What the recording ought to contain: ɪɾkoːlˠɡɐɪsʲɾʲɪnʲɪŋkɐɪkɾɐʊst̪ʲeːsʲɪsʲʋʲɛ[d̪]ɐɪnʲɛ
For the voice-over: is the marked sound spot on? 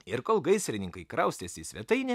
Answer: no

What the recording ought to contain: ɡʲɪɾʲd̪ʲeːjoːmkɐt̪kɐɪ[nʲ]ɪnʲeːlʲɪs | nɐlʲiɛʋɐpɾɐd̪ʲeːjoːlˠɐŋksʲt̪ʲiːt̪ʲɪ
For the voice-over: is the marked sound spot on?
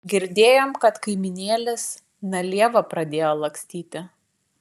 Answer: no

